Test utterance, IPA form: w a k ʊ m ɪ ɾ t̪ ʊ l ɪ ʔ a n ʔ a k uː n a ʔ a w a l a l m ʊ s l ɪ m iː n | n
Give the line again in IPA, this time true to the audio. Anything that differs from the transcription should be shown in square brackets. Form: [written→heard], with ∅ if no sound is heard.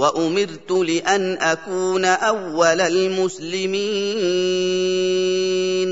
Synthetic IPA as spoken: w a [k→ʔ] ʊ m ɪ ɾ t̪ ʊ l ɪ ʔ a n ʔ a k uː n a ʔ a [w→wː] a l a l m ʊ s l ɪ m iː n | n